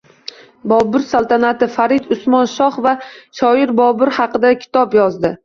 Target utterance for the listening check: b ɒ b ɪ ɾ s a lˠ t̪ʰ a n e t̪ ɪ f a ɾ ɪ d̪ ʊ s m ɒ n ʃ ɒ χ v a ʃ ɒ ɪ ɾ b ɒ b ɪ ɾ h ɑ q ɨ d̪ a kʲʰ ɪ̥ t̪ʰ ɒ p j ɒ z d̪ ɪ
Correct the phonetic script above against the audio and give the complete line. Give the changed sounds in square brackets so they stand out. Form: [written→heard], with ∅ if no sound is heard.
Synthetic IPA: b ɒ b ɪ ɾ s a lˠ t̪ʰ a n [e→a] t̪ ɪ f a ɾ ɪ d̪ ʊ s m ɒ n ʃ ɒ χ v a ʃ ɒ ɪ ɾ b ɒ b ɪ ɾ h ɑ q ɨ d̪ a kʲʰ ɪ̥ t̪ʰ ɒ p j ɒ z d̪ ɪ